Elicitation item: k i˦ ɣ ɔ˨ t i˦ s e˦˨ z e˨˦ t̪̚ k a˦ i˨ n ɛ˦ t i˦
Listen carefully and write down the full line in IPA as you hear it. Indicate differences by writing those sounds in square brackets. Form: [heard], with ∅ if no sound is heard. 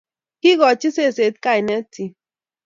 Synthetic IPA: k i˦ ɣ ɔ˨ [t͡ʃ] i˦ s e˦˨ [s] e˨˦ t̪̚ k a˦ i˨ n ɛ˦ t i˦